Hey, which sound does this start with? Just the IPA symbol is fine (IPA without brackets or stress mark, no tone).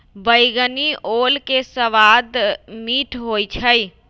b